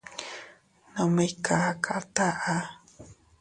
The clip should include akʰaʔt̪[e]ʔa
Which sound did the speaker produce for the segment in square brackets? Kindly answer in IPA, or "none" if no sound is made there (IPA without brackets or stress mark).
a